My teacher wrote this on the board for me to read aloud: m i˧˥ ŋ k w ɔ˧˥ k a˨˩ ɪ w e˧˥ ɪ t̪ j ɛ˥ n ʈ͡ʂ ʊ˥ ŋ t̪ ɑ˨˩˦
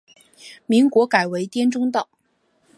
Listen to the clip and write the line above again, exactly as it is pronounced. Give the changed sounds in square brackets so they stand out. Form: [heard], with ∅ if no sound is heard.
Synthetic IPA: m i˧˥ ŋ k w ɔ˧˥ k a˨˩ ɪ w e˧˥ ɪ t̪ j ɛ˥ n ʈ͡ʂ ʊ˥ ŋ t̪ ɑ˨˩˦